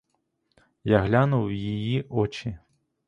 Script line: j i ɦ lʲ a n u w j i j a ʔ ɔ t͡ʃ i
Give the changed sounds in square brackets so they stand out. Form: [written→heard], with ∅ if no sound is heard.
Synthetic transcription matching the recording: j [i→a] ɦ lʲ a n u w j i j [a→i] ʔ ɔ t͡ʃ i